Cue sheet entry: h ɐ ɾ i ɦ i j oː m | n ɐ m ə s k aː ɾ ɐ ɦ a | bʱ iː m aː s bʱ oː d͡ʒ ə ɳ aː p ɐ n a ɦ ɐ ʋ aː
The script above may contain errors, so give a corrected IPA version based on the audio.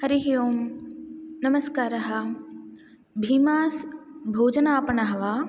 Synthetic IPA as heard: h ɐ ɾ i ɦ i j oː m | n ɐ m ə s k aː ɾ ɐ ɦ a | bʱ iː m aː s bʱ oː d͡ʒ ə n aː p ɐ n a ɦ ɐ ʋ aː